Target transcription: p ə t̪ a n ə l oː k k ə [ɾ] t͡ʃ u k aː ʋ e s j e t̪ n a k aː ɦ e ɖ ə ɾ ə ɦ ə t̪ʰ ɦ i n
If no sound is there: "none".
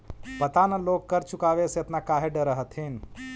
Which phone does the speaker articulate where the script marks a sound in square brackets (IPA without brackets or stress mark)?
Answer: ɾ